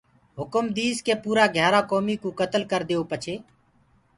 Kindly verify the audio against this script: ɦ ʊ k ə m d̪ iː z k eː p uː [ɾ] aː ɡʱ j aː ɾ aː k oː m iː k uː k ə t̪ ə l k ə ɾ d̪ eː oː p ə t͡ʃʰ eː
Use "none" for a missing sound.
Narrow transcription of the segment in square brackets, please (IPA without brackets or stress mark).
ɾ